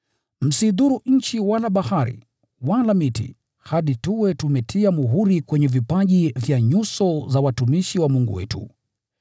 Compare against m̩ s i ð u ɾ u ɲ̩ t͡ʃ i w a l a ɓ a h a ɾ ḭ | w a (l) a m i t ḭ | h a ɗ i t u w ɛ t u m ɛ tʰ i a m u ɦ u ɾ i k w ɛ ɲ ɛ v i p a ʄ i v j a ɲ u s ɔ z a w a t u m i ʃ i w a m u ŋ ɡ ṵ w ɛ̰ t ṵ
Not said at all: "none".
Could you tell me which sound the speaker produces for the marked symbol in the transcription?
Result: l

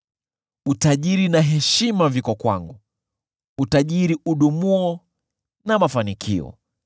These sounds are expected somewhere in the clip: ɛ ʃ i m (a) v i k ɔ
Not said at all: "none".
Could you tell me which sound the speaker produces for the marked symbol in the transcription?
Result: a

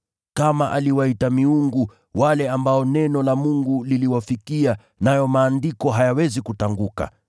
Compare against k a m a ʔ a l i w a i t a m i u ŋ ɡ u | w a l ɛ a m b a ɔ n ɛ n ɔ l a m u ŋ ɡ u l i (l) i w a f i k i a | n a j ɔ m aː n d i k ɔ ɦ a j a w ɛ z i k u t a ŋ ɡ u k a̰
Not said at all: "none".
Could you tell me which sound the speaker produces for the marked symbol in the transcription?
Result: l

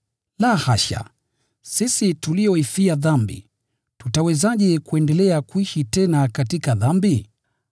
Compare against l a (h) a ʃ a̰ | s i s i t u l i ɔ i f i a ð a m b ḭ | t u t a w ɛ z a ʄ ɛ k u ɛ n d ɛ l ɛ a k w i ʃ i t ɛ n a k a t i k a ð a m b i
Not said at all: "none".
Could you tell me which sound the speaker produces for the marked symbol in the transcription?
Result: h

